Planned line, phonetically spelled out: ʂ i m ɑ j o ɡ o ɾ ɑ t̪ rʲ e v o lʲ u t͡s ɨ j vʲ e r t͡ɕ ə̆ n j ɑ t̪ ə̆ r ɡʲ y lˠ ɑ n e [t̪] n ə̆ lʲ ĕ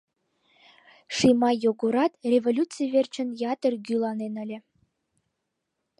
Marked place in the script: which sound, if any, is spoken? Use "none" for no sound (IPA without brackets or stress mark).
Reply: none